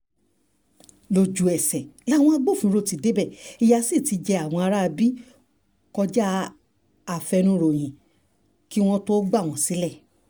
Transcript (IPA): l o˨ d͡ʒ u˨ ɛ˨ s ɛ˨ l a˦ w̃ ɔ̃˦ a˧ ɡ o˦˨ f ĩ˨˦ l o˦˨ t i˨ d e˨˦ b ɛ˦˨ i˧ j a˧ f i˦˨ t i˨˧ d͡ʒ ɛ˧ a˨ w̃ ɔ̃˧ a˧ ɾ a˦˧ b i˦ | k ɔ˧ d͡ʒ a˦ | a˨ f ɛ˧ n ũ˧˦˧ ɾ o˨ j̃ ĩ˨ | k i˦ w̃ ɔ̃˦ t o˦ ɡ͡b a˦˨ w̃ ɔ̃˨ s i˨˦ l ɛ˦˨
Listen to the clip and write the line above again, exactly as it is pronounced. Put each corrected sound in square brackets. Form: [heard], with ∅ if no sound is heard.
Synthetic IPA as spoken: l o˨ d͡ʒ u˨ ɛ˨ s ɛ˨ l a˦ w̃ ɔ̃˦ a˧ [ɡ͡b] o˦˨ f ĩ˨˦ [ɾ] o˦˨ t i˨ d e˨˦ b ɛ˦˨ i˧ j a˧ [s] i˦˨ t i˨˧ d͡ʒ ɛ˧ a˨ w̃ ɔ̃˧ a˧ ɾ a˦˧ b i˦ | k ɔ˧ d͡ʒ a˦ | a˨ f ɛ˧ n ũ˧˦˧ ɾ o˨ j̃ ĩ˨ | k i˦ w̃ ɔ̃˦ t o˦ ɡ͡b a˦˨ w̃ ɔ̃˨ s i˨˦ l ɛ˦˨

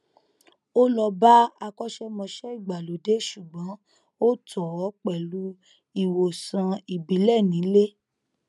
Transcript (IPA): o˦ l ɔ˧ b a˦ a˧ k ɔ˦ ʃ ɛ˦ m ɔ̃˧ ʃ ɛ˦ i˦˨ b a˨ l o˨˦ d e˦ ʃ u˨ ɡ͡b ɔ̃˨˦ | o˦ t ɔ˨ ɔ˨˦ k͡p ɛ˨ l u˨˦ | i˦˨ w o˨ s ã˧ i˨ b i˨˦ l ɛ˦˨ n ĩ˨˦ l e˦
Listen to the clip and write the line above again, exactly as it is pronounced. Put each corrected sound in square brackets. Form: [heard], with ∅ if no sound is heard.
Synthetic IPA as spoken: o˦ l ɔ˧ b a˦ a˧ k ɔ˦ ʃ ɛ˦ m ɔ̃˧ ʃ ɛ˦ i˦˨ [ɡ͡b] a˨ l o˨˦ d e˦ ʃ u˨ ɡ͡b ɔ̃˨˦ | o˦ t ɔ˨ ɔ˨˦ k͡p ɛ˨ l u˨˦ | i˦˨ w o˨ s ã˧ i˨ b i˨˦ l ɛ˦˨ n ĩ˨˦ l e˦

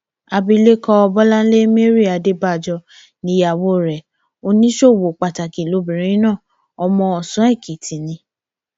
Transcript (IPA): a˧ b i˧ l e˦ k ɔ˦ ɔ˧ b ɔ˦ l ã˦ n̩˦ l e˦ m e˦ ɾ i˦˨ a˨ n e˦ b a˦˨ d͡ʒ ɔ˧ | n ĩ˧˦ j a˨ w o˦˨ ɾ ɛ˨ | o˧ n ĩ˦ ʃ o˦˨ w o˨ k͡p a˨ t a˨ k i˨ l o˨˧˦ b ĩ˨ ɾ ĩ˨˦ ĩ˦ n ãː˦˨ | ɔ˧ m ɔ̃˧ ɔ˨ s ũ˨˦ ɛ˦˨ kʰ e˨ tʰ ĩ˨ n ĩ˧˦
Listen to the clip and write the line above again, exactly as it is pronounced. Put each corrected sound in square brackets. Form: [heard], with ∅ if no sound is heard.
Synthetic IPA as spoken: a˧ b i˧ l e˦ k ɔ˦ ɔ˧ b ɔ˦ l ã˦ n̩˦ l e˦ m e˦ ɾ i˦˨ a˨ [d] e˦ b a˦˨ d͡ʒ ɔ˧ | n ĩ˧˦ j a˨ w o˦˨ ɾ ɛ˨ | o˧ n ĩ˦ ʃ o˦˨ w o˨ k͡p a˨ t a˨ k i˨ l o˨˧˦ b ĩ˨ ɾ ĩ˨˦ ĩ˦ n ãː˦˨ | ɔ˧ m ɔ̃˧ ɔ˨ s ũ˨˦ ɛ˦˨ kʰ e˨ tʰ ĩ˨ n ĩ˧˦

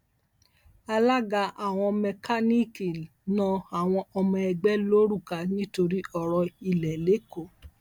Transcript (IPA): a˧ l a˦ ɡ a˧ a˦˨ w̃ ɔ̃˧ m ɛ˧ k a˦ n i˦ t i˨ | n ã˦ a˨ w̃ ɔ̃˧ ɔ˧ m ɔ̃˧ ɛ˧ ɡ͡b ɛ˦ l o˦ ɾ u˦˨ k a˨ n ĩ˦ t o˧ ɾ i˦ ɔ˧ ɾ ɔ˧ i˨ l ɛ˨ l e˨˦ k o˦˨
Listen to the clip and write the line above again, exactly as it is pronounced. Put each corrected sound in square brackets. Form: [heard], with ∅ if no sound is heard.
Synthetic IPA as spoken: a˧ l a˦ ɡ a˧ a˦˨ w̃ ɔ̃˧ m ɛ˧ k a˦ n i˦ [k] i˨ | n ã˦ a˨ w̃ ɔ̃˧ ɔ˧ m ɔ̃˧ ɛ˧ ɡ͡b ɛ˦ l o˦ ɾ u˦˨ k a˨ n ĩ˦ t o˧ ɾ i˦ ɔ˧ ɾ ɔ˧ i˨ l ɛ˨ l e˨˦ k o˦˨

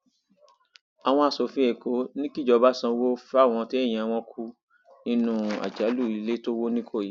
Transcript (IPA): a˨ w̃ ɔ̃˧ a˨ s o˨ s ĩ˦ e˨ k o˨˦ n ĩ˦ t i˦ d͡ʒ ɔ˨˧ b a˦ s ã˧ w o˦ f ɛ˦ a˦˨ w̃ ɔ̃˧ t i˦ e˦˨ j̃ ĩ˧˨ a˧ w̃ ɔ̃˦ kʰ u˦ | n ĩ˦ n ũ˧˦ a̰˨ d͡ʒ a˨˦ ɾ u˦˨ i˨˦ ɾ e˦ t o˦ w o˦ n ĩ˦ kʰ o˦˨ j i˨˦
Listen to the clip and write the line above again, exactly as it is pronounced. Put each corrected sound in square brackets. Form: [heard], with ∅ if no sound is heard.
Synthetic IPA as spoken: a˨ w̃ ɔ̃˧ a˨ s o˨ [f] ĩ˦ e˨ k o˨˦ n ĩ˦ [k] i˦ d͡ʒ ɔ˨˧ b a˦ s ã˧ w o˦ f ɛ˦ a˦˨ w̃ ɔ̃˧ t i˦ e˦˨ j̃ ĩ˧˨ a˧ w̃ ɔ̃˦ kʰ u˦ | n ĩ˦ n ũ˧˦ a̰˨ d͡ʒ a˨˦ [l] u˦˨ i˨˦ [l] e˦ t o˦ w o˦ n ĩ˦ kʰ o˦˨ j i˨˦

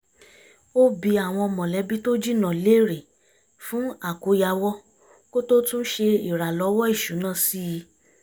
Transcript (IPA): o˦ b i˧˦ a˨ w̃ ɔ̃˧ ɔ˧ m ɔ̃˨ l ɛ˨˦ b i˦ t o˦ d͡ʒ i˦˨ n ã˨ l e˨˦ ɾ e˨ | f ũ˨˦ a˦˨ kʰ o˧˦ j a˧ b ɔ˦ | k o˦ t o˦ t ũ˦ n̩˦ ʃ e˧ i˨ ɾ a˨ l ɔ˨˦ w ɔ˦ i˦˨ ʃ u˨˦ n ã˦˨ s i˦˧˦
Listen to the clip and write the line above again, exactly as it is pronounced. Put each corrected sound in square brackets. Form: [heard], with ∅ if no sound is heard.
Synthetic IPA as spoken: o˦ b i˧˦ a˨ w̃ ɔ̃˧ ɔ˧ m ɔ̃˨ l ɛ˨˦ b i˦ t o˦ d͡ʒ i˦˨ n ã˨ l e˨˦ ɾ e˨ | f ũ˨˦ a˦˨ [k] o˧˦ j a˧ [w] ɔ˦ | k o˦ t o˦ t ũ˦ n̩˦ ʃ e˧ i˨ ɾ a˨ l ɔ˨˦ w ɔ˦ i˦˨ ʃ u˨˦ n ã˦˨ s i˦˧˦

